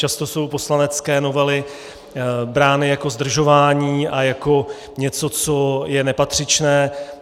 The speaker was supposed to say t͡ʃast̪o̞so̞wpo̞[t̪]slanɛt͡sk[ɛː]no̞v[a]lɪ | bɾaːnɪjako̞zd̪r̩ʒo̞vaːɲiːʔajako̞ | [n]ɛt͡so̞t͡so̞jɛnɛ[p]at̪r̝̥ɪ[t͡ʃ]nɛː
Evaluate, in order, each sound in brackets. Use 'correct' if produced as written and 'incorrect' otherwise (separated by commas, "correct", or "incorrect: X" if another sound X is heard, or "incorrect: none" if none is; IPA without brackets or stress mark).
incorrect: none, correct, incorrect: ɛ, incorrect: ɲ, correct, correct